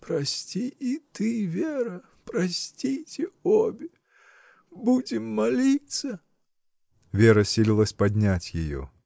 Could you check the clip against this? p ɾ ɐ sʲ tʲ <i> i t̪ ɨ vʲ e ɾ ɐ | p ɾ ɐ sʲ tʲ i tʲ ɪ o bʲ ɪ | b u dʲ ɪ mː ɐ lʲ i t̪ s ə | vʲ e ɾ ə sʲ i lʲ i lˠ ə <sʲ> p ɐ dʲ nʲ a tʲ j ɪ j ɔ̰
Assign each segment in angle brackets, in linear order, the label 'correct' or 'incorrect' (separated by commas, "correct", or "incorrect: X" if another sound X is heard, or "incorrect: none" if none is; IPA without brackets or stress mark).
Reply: correct, correct